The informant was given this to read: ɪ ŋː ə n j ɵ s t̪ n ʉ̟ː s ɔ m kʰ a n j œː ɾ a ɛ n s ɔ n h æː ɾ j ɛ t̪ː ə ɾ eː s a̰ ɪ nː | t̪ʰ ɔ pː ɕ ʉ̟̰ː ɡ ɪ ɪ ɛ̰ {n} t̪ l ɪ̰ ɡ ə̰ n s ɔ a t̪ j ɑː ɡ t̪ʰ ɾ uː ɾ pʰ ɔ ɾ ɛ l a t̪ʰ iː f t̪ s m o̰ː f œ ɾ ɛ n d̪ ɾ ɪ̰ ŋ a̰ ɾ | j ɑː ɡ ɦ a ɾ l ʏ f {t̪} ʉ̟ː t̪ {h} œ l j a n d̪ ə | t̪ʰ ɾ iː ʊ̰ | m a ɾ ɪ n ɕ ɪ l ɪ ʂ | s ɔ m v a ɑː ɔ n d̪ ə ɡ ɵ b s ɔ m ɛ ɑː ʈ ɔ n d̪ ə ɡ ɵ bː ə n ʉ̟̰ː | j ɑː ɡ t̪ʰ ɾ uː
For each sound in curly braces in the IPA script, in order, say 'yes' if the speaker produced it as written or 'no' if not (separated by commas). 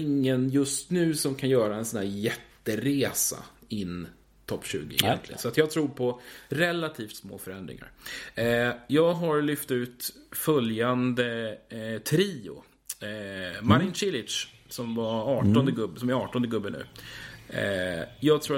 yes, yes, no